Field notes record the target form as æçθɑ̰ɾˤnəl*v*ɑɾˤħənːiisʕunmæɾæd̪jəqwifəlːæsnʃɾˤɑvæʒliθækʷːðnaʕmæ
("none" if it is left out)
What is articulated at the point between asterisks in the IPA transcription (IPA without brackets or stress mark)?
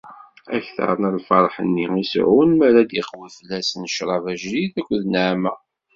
f